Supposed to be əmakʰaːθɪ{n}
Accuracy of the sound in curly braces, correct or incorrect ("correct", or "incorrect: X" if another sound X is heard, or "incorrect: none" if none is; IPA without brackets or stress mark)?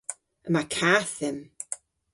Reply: incorrect: m